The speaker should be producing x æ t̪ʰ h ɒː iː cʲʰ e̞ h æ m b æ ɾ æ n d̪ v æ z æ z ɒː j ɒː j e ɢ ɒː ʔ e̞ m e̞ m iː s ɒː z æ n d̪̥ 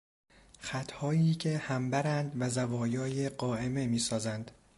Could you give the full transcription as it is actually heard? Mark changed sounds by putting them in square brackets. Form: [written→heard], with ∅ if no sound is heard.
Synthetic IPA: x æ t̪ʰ h ɒː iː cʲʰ e̞ h æ m b æ ɾ æ n d̪ v æ z æ [z→v] ɒː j ɒː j e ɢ ɒː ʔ e̞ m e̞ m iː s ɒː z æ n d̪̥

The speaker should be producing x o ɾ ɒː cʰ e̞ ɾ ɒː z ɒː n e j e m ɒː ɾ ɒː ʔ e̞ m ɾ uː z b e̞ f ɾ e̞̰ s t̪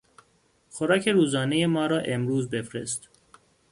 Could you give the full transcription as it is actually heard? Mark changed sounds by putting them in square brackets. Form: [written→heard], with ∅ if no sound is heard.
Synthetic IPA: x o ɾ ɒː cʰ e̞ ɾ [ɒː→uː] z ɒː n e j e m ɒː ɾ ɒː ʔ e̞ m ɾ uː z b e̞ f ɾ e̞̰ s t̪

